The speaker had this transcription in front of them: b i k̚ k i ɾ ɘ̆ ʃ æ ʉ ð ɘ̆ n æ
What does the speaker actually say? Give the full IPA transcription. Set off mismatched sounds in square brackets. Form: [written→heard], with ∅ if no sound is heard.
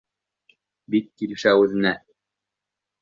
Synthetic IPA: b i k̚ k i [ɾ→l] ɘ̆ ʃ æ ʉ ð ɘ̆ n æ